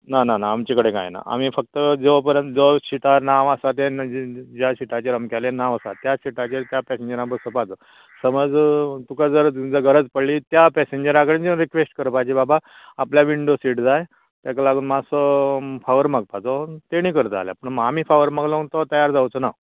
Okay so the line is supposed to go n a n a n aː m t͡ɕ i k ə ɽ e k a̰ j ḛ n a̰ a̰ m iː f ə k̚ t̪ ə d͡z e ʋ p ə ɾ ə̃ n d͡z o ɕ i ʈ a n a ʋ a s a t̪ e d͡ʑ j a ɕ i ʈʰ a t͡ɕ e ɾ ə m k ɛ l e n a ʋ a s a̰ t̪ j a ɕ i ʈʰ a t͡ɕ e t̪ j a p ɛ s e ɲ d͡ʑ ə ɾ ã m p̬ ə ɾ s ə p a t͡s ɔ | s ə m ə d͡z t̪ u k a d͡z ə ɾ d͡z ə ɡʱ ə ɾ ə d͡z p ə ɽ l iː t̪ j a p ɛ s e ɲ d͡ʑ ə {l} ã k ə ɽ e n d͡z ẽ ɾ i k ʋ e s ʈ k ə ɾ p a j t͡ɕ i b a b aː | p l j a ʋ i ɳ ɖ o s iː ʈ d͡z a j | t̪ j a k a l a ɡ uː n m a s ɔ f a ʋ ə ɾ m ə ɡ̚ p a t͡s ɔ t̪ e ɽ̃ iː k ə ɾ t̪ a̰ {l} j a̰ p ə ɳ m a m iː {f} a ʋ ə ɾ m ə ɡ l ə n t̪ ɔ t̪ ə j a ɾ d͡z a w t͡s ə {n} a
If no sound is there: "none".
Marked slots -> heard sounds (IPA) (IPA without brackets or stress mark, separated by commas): ɾ, l, f, n